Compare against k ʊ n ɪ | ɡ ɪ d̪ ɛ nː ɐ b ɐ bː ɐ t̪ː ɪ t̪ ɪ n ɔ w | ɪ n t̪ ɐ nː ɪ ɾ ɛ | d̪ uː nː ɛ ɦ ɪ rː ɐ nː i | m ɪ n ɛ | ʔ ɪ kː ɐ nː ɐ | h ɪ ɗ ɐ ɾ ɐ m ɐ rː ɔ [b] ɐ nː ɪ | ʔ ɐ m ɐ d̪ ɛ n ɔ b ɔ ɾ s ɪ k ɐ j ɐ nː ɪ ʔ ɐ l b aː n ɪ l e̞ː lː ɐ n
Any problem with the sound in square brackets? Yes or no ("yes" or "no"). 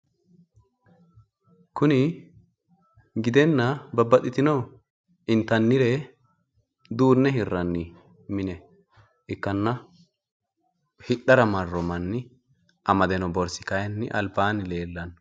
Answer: yes